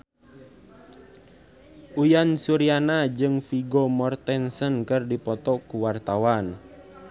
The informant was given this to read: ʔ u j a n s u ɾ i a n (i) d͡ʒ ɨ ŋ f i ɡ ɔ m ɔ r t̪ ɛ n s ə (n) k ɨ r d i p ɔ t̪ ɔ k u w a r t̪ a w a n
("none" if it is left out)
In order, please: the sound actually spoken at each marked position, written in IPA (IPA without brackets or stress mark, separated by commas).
a, n